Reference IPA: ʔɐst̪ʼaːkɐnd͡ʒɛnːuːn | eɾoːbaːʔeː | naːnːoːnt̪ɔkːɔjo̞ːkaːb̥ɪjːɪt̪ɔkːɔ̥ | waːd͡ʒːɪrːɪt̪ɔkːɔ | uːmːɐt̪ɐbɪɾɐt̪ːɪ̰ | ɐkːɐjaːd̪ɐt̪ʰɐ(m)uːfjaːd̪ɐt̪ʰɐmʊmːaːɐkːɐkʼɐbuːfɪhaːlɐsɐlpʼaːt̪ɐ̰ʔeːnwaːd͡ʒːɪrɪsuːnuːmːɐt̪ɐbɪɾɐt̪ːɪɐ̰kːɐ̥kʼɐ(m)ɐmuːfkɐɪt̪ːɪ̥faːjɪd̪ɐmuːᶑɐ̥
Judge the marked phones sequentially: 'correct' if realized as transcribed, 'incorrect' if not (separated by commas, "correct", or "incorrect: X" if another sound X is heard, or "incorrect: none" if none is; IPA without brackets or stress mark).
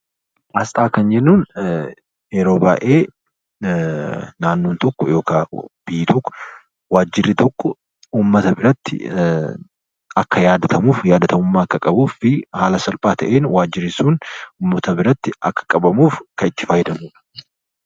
correct, incorrect: b